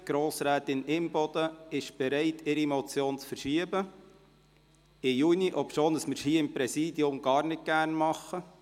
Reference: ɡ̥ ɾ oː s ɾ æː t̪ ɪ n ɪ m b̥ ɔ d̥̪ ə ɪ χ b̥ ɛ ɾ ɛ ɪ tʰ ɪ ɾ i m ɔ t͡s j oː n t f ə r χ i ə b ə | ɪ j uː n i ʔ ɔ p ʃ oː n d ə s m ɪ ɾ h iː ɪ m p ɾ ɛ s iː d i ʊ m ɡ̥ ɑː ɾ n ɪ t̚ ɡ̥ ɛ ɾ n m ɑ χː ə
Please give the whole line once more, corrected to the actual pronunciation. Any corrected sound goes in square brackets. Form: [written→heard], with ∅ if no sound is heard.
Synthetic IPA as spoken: ɡ̥ ɾ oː s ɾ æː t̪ ɪ n ɪ m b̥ ɔ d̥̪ ə ɪ [χ→ʃ] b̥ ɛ ɾ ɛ ɪ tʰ ɪ ɾ i m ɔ t͡s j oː n [t→t͡s] f ə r [χ→ʃ] i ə b ə | ɪ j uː n i ʔ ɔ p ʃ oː n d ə s m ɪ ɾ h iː ɪ m p ɾ ɛ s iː d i ʊ m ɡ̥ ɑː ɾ n ɪ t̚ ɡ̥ [ɛ→æ] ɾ n m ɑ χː ə